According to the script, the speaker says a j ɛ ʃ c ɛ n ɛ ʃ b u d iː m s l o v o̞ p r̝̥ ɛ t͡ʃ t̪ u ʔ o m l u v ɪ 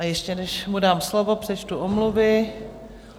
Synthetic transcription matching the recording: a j ɛ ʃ c ɛ n ɛ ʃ m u d aː m s l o v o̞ p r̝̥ ɛ t͡ʃ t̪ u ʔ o m l u v ɪ